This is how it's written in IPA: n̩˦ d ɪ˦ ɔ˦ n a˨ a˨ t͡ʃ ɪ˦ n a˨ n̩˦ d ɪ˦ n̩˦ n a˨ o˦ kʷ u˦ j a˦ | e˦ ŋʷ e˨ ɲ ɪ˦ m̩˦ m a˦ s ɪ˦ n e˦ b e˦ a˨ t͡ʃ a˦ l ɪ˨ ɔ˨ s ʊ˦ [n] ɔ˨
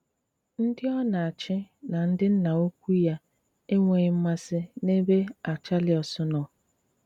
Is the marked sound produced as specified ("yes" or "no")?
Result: yes